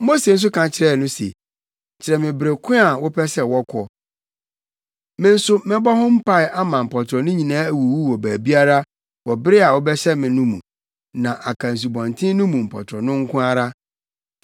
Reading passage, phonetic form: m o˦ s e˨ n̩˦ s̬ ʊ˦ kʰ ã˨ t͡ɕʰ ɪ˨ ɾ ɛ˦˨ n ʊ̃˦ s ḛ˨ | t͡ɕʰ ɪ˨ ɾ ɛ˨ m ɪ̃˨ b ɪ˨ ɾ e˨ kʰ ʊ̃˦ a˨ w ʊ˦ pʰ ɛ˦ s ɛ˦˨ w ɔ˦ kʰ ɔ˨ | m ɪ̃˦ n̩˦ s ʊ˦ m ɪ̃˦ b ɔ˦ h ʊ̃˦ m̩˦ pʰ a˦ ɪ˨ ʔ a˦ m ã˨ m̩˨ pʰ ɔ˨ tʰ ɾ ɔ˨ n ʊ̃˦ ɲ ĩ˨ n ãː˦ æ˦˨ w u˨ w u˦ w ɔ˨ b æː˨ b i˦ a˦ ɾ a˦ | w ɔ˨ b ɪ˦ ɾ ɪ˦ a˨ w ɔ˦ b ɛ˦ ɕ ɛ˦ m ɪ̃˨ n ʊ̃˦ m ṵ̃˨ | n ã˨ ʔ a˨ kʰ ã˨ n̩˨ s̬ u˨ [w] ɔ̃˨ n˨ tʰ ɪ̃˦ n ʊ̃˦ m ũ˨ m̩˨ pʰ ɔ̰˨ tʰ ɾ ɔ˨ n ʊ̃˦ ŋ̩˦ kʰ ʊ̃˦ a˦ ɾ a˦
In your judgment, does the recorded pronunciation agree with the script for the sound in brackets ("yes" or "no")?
no